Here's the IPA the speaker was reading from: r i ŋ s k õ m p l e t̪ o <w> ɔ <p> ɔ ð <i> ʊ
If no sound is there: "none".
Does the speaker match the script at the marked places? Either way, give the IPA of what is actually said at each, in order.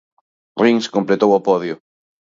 w, p, j

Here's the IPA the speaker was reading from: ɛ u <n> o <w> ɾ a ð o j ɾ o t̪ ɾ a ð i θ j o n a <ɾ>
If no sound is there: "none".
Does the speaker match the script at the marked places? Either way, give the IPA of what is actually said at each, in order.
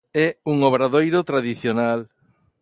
ŋ, β, l

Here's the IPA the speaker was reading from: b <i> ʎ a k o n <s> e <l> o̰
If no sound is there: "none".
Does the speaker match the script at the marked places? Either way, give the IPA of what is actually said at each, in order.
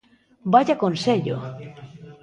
a, s, ʎ

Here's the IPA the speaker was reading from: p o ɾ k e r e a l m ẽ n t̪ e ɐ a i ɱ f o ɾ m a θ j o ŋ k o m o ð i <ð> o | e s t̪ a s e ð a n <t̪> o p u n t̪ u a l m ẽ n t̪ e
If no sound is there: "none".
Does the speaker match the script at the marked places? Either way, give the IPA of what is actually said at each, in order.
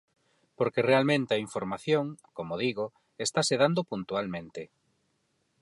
ɣ, d̪

